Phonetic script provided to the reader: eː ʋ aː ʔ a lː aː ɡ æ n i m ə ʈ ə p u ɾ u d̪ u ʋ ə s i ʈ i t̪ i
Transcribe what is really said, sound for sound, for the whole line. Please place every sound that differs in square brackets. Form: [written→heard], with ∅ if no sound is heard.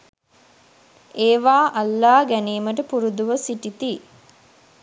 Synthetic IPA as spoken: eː ʋ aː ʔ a lː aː ɡ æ n [i→iː] m ə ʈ ə p u ɾ u d̪ u ʋ ə s i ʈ i t̪ i